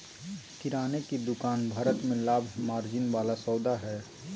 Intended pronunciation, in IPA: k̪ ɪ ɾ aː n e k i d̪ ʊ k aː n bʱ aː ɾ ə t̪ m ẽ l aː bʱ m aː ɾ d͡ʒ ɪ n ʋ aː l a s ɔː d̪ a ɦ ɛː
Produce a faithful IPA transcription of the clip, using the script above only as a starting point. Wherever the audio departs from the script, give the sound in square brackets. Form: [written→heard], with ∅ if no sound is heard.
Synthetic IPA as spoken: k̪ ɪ ɾ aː n e k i d̪ ʊ k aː n bʱ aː ɾ ə t̪ m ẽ l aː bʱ m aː ɾ d͡ʒ ɪ n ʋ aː l a s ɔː d̪ a ɦ ɛː